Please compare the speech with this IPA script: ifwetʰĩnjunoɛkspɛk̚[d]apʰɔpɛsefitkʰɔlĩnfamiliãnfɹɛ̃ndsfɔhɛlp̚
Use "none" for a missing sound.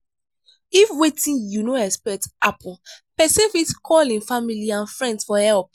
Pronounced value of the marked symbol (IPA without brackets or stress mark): t